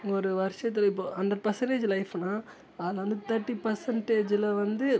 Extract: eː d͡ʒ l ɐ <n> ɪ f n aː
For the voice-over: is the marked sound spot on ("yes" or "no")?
no